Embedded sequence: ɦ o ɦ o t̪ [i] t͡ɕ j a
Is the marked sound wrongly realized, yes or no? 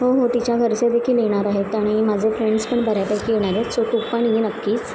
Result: no